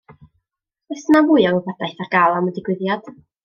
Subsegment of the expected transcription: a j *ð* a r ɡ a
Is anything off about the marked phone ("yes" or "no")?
yes